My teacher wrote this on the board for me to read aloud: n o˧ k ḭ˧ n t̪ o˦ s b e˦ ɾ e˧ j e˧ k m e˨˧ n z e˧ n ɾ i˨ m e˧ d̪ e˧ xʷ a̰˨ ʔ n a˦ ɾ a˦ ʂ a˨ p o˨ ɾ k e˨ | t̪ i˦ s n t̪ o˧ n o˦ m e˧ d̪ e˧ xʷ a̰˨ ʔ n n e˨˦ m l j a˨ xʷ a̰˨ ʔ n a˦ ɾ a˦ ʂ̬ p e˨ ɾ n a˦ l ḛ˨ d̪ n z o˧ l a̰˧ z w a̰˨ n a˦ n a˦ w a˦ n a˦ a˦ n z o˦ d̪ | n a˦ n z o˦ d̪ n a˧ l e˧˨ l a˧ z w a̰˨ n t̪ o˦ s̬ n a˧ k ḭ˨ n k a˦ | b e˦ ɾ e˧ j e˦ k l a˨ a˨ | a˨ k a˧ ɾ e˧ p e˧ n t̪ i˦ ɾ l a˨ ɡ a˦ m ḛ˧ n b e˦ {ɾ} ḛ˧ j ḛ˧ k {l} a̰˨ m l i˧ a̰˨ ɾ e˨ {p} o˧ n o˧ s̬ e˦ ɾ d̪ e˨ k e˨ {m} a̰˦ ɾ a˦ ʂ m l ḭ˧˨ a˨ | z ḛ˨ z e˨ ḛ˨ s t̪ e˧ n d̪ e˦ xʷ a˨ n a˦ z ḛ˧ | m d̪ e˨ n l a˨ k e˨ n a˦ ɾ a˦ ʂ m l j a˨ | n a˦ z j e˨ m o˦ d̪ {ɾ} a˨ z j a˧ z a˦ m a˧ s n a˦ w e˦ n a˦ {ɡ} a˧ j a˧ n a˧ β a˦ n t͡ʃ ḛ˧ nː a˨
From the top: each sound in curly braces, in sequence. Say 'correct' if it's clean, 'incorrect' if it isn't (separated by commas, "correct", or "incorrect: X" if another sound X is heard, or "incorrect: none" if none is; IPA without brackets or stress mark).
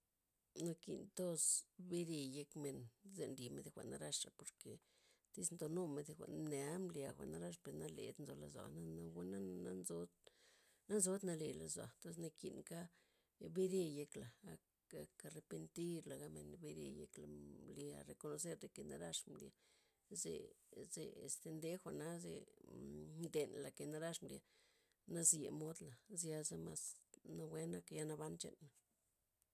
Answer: correct, correct, incorrect: k, incorrect: n, incorrect: l, incorrect: k